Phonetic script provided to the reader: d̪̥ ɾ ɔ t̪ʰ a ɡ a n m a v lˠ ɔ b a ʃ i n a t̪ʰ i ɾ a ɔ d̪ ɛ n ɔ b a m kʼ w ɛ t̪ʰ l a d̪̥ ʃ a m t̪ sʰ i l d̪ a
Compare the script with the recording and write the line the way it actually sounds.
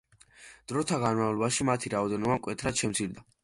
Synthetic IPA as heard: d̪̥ ɾ ɔ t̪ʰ a ɡ a n m a v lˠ ɔ b a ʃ i m a t̪ʰ i ɾ a ɔ d̪ ɛ n ɔ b a m kʼ w ɛ t̪ʰ ɾ a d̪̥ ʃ ɛ m t̪ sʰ i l d̪ a